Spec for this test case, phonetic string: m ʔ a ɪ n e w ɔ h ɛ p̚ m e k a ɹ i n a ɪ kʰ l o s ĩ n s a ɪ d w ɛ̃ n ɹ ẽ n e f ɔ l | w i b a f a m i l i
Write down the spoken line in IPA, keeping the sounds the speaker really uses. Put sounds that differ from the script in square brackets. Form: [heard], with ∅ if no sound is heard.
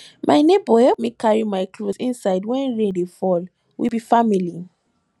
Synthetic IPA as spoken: m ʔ a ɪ n e [b] ɔ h ɛ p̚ m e k a ɹ i [m] a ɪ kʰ l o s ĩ n s a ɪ d w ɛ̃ n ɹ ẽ [d] e f ɔ l | w i b [i] f a m i l i